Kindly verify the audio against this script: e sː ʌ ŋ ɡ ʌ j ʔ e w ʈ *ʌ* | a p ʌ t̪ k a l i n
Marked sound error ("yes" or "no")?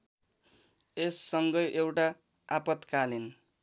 yes